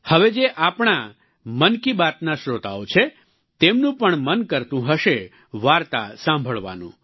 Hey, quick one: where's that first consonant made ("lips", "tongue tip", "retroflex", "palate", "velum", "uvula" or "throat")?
throat